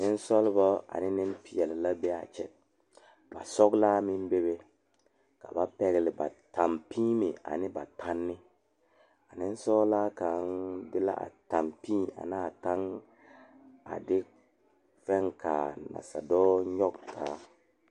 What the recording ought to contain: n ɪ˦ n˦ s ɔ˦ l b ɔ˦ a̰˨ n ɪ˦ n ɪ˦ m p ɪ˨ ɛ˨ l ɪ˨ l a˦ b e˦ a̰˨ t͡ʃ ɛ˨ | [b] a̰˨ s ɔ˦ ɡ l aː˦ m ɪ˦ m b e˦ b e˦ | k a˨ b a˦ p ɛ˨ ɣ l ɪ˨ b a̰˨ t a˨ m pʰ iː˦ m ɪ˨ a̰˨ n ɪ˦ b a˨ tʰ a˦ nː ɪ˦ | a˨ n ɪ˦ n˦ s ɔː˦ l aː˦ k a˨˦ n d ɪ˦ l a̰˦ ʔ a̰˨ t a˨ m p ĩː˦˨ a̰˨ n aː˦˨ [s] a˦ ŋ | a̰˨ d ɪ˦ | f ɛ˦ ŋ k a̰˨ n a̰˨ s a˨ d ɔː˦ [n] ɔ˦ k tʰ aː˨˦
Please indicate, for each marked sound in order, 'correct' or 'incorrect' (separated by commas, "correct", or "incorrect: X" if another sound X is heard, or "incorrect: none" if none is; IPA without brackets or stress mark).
correct, incorrect: t, incorrect: ɲ